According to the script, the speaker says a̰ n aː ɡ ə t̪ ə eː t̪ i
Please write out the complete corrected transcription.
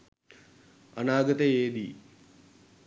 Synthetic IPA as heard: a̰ n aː ɡ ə t̪ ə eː d̪ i